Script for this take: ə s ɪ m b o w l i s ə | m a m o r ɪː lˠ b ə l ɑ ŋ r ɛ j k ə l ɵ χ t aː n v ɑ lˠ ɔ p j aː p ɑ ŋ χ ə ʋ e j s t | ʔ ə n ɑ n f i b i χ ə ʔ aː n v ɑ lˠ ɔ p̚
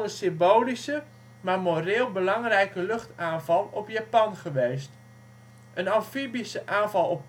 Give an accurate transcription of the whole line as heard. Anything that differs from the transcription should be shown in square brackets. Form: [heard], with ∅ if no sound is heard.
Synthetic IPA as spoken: ə s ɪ m b o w l i s ə | m a m o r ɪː lˠ b ə l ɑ ŋ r ɛ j k ə l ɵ χ t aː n v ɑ lˠ ɔ p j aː p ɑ [n] χ ə ʋ e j s t | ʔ ə n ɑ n f i b i [s] ə ʔ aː n v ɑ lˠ ɔ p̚